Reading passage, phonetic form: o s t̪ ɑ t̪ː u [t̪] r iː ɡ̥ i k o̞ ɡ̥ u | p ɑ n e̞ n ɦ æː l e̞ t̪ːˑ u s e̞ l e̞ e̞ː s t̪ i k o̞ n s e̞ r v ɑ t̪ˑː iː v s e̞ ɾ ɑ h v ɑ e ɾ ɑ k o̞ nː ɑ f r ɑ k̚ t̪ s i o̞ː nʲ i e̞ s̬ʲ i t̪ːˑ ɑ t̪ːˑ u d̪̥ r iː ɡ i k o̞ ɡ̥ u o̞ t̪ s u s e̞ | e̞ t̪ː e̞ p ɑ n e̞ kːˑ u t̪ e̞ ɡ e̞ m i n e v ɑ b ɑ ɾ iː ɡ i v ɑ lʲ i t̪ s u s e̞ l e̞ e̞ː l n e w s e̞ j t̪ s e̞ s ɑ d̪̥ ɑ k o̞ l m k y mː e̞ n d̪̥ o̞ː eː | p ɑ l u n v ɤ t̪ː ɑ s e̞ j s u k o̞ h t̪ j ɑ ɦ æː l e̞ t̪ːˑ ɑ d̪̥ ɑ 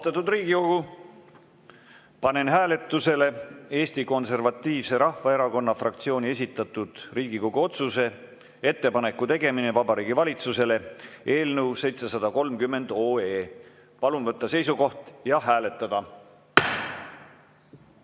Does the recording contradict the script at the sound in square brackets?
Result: yes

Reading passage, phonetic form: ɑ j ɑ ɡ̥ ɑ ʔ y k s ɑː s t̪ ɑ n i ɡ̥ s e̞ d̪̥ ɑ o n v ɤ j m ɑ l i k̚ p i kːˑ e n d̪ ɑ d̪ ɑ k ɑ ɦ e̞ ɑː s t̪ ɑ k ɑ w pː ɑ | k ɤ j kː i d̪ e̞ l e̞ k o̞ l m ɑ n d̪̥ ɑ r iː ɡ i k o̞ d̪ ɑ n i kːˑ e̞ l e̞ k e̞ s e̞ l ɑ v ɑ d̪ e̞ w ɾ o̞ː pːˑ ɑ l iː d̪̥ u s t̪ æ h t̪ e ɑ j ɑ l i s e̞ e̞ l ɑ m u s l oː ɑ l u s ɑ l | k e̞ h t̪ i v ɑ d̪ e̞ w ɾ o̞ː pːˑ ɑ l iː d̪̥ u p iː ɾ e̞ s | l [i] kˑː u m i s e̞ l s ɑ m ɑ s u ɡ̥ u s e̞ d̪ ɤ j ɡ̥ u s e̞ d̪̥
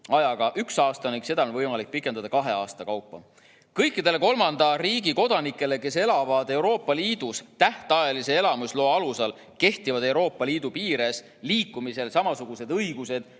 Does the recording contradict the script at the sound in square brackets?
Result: yes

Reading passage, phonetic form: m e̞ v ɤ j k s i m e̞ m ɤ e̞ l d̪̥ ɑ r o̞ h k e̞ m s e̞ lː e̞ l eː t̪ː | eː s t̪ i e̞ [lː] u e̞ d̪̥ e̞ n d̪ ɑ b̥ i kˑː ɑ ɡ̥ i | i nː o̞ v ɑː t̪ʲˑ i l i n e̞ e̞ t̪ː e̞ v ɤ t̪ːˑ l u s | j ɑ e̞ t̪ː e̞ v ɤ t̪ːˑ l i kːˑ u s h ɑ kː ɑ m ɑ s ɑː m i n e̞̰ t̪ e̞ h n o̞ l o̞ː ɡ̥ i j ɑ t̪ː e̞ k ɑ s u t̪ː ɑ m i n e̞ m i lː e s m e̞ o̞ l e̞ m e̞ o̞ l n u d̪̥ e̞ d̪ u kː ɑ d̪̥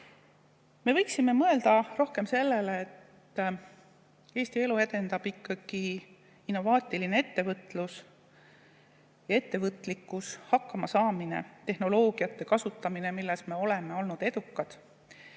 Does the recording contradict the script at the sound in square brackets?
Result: yes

